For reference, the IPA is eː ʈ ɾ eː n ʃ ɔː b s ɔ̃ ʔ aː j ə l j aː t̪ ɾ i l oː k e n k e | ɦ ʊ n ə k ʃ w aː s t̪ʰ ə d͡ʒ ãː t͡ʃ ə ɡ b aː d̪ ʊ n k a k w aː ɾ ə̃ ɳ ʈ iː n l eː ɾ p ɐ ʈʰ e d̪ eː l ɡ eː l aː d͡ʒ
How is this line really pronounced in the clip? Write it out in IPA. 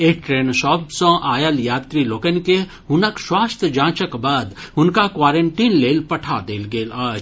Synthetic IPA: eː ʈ ɾ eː n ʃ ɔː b s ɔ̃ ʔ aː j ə l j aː t̪ ɾ i l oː k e n k e | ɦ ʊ n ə k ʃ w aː s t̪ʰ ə d͡ʒ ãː t͡ʃ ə k b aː d̪ ʊ n k a k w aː ɾ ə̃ ɳ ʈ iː n l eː l p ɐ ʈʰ a d̪ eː l ɡ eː l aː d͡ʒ